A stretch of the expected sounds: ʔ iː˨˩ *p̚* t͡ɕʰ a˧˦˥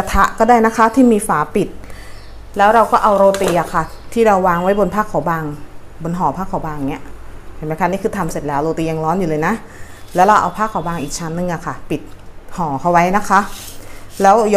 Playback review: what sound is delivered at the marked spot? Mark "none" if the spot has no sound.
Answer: k̚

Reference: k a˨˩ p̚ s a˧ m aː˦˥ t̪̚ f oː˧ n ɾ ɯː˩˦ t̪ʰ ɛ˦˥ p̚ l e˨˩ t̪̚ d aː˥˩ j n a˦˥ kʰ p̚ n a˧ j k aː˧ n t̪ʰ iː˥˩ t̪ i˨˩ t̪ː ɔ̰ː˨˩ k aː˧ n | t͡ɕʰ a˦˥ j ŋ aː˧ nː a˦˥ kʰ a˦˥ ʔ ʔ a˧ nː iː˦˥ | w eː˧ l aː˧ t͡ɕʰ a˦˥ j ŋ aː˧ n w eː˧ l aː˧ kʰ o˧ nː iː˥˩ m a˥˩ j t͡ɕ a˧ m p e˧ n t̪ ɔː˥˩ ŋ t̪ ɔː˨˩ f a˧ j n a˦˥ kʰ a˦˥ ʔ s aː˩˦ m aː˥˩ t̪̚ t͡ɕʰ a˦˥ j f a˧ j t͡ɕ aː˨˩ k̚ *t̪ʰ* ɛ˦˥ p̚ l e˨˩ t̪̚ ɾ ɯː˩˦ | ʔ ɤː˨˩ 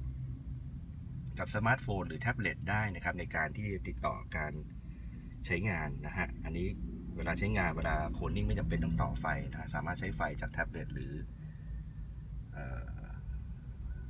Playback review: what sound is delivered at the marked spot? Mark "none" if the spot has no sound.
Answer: t̪ʰ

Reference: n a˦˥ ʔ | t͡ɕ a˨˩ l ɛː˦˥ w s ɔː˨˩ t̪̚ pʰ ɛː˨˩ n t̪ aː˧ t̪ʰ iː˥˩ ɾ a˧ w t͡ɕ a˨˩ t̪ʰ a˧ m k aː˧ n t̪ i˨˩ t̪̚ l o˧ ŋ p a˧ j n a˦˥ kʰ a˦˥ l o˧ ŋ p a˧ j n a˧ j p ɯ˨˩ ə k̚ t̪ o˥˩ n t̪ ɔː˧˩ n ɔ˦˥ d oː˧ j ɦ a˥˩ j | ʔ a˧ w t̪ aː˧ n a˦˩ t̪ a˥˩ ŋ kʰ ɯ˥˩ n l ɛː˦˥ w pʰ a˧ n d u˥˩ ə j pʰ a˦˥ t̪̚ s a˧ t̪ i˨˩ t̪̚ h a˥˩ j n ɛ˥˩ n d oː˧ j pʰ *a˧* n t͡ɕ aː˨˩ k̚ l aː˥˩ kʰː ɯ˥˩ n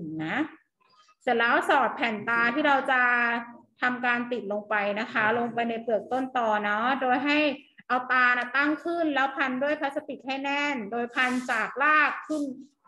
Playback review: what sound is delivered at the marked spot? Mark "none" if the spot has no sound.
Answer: a˧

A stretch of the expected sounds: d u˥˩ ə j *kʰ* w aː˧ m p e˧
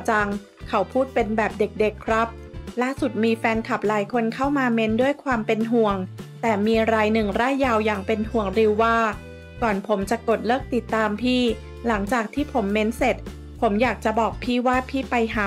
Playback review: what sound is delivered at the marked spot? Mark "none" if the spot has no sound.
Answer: kʰ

